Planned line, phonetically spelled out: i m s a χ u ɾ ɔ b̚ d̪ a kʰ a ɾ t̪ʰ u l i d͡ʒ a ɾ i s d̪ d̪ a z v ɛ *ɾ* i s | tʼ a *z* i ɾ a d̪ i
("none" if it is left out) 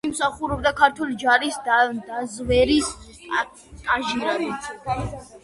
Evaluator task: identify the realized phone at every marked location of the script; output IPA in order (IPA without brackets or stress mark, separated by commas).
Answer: ɾ, ʒ